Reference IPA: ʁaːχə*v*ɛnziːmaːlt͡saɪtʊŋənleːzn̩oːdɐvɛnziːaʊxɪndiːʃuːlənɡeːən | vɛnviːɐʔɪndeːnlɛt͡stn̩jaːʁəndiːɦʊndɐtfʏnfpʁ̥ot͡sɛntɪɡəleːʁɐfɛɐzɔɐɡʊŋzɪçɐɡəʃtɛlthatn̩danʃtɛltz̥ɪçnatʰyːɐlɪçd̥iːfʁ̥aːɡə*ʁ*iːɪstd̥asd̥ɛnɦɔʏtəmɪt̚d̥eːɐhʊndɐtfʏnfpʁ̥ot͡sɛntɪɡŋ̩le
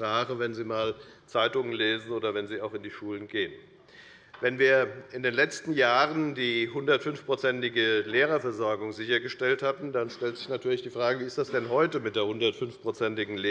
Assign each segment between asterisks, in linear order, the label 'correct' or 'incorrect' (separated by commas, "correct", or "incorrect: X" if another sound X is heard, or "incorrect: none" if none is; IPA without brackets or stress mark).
correct, incorrect: v